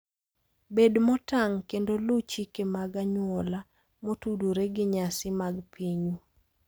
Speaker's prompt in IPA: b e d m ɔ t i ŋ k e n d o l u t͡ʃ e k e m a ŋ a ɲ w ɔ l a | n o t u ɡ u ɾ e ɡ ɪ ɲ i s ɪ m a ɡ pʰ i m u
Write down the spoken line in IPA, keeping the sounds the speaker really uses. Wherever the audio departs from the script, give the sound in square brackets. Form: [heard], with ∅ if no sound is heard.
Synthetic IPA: b e d m ɔ t [a] ŋ k e n d o l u t͡ʃ [i] k e m a [ɡ] a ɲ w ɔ l a | [m] o t u [d] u ɾ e ɡ ɪ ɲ [a] s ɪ m a ɡ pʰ i [ɲ] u